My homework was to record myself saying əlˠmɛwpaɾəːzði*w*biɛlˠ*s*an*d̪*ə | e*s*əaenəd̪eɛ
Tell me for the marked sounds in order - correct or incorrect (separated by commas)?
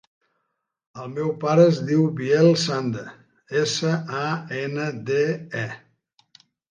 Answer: correct, correct, correct, correct